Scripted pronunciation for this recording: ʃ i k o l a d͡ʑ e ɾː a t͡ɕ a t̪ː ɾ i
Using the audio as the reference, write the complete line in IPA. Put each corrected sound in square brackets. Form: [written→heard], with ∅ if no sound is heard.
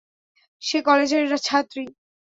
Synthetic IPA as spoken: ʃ [i→e] k [o→ɔ] l [a→e] d͡ʑ e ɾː a [t͡ɕ→t͡ɕʰ] a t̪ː ɾ i